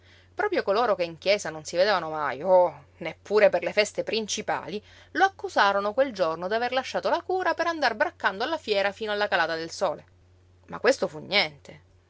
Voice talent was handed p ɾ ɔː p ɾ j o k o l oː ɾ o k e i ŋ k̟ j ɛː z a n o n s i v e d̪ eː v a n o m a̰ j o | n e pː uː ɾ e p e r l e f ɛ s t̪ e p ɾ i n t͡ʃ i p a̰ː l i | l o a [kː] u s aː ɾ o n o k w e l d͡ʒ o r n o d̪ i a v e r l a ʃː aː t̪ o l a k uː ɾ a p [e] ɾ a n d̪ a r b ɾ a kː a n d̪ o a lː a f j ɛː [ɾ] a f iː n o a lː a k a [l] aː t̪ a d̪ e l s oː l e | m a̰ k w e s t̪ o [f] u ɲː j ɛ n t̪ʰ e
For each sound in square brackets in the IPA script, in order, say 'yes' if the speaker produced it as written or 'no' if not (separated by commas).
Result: yes, yes, yes, yes, yes